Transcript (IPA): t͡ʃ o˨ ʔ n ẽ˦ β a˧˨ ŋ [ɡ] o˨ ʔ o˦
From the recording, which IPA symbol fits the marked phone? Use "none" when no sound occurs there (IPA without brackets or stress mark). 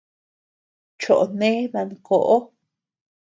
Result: k